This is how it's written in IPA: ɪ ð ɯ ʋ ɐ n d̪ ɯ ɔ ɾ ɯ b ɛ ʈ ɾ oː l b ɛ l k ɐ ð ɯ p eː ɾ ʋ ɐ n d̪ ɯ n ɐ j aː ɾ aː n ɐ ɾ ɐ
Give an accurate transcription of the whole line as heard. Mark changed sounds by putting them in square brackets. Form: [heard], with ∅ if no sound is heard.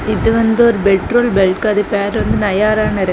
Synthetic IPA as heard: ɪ ð ɯ ʋ ɐ n d̪ ɯ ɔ ɾ ɯ b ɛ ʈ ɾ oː l b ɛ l k ɐ ð ɯ p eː ɾ ʋ ɐ n d̪ ɯ n ɐ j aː ɾ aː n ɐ ɾ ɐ